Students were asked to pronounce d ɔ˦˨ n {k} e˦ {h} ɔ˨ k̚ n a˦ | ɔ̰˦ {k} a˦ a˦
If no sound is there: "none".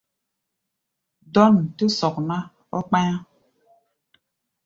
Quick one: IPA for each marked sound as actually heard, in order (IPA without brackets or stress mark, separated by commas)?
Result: t, s, k͡p